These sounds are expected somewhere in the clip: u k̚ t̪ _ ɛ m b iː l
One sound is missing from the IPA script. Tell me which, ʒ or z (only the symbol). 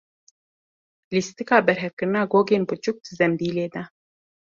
z